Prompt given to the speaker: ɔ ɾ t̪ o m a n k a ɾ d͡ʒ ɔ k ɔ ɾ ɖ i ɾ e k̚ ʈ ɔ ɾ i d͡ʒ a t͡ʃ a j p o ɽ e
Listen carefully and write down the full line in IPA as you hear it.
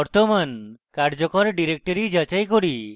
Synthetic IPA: ɔ ɾ t̪ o m a n k a ɾ d͡ʒ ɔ k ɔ ɾ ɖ i ɾ e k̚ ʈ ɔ ɾ i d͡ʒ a t͡ʃ a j k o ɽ i